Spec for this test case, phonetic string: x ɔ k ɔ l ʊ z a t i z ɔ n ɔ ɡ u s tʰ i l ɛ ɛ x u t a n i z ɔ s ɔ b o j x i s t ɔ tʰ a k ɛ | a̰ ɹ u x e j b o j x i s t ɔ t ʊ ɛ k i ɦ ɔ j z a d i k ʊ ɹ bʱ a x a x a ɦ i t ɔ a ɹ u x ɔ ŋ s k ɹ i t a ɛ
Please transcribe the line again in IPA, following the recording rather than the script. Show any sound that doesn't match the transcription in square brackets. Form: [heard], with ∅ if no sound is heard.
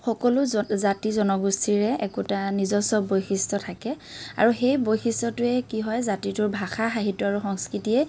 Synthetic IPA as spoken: x ɔ k ɔ l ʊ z a t i z ɔ n ɔ ɡ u s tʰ i [ɹ] ɛ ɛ [k] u t a n i z ɔ s ɔ b o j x i s t ɔ tʰ a k ɛ | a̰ ɹ u x e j b o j x i s t ɔ t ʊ ɛ k i ɦ ɔ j z a [t] i [t] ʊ ɹ bʱ a x a x a ɦ i t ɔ a ɹ u x ɔ ŋ s k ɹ i t [i] ɛ